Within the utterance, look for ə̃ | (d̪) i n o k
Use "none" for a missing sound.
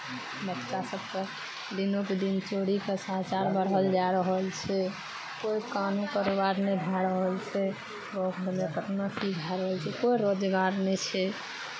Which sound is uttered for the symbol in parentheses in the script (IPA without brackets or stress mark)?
d̪